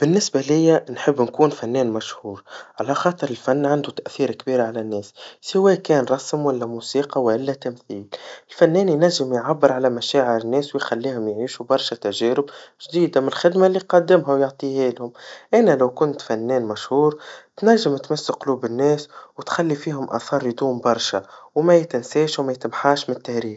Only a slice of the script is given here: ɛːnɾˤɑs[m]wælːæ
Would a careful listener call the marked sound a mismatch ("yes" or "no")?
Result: no